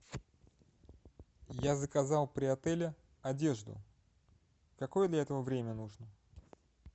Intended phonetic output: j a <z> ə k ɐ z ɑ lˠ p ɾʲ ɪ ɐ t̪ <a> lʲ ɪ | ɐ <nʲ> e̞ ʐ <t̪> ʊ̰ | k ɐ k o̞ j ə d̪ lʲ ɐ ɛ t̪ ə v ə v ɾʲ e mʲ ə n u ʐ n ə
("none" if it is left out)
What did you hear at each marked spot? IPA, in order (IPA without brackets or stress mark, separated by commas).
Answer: z, ɛ, dʲ, d̪